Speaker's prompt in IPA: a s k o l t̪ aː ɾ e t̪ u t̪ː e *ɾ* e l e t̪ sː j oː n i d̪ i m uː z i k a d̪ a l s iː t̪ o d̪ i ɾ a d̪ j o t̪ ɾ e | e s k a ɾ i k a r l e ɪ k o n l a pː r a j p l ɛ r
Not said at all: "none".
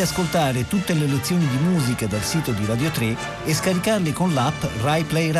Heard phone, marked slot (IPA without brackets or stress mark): l